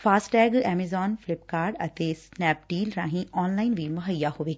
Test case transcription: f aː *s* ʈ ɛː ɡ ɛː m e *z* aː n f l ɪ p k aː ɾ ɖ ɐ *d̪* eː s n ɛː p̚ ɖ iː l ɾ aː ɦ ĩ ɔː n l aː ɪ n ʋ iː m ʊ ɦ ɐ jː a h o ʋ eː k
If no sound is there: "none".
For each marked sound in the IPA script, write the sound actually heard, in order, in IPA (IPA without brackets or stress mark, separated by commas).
s, z, t̪